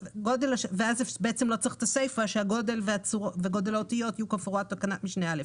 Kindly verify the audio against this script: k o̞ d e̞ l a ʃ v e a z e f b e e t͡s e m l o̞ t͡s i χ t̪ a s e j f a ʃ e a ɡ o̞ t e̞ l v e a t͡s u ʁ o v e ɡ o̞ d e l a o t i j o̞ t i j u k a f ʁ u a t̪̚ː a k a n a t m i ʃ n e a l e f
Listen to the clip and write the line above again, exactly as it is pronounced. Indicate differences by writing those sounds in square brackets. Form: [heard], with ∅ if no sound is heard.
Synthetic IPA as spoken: [ɡ] o̞ d e̞ l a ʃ v e a z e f b e e t͡s e m l o̞ t͡s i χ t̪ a s e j f a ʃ e a ɡ o̞ [d] e̞ l v e a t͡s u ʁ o v e ɡ o̞ d e l a o t i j o̞ t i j u k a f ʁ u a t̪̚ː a k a n a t m i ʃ n e a l e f